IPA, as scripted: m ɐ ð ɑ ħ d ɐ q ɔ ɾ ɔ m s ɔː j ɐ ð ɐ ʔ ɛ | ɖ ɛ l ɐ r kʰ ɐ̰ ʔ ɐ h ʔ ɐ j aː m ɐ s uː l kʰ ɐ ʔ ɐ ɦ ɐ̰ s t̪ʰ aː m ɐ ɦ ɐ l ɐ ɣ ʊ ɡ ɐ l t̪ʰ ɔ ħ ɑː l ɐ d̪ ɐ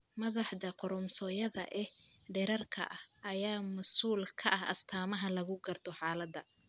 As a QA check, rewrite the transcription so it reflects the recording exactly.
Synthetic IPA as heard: m ɐ ð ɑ ħ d ɐ q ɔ ɾ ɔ m s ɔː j ɐ ð ɐ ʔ ɛ | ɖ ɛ ɾ ɐ r kʰ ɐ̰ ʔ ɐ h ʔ ɐ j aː m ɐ s uː l kʰ ɐ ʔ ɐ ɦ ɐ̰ s t̪ʰ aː m ɐ ɦ ɐ l ɐ ɣ ʊ ɡ ɐ r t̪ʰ ɔ ħ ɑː l ɐ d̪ ɐ